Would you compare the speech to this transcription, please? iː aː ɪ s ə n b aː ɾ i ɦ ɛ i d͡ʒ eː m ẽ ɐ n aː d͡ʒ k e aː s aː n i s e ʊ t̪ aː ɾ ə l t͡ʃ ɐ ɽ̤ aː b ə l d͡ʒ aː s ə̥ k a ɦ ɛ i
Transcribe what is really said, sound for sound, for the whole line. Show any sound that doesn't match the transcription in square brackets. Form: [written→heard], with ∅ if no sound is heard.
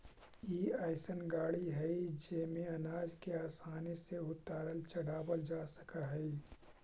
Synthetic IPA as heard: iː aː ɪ s ə n [b→ɡ] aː [ɾ→ɽ] i ɦ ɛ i d͡ʒ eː m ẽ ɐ n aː d͡ʒ k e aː s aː n i s e ʊ t̪ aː ɾ ə l t͡ʃ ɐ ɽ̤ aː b ə l d͡ʒ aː s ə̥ k a ɦ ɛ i

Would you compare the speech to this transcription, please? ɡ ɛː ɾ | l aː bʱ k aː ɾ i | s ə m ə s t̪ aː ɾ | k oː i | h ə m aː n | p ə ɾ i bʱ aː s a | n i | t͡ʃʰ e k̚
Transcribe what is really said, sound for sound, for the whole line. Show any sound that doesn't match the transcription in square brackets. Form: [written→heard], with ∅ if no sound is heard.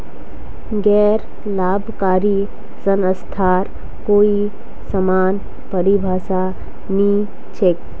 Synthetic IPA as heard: ɡ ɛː ɾ | l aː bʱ k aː ɾ i | s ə [m→n] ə s [t̪→t̪ʰ] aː ɾ | k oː i | [h→s] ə m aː n | p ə ɾ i bʱ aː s a | n i | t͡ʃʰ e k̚

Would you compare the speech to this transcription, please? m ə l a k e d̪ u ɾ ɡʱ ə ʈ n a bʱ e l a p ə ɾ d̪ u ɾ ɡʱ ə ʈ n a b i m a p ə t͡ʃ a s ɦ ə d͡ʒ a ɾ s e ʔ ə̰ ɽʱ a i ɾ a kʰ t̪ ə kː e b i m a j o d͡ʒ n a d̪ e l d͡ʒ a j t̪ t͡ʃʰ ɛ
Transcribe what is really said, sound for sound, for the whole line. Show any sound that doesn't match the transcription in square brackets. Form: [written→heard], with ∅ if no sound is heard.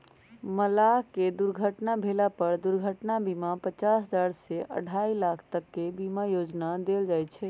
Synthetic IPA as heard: m ə l a k e d̪ u ɾ ɡʱ ə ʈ n a bʱ e l a p ə ɾ d̪ u ɾ ɡʱ ə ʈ n a b i m a p ə t͡ʃ a s ɦ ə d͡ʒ a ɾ s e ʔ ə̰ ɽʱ a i [ɾ→l] a kʰ t̪ ə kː e b i m a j o d͡ʒ n a d̪ e l d͡ʒ a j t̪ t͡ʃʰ ɛ

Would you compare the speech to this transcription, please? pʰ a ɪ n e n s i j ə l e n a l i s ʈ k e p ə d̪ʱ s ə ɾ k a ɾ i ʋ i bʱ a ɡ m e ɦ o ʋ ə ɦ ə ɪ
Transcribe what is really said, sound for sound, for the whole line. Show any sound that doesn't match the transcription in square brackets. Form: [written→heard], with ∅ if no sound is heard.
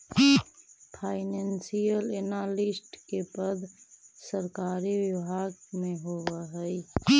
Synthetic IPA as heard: pʰ a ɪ n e n s i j ə l e n a l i s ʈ k e p ə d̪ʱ s ə ɾ k a ɾ i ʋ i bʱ a ɡ m e ɦ o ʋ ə ɦ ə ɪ

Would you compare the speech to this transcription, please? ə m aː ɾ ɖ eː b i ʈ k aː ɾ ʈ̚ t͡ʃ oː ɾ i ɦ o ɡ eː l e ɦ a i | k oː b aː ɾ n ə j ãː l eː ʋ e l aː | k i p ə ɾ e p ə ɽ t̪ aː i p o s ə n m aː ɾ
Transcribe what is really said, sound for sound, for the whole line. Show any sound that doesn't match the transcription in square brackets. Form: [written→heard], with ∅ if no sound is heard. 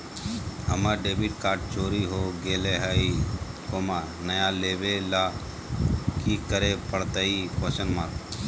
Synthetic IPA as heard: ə m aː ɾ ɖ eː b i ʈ k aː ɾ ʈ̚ t͡ʃ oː ɾ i ɦ o ɡ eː l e ɦ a i | k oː [b→m] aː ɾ n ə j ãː l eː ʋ e l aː | k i [p→k] ə ɾ e p ə ɽ t̪ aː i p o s ə n m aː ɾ

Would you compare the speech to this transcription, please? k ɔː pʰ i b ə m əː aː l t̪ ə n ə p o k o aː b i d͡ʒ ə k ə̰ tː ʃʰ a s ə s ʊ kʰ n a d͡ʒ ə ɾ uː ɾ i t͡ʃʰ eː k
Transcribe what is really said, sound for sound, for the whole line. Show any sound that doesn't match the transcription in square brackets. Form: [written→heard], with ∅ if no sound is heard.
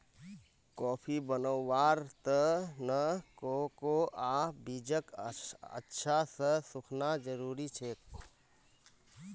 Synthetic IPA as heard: k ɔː pʰ i b ə [m→n] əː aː [l→ɾ] t̪ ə n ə [p→k] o k o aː b i d͡ʒ ə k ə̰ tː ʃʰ a s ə s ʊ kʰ n a d͡ʒ ə ɾ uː ɾ i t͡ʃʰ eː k

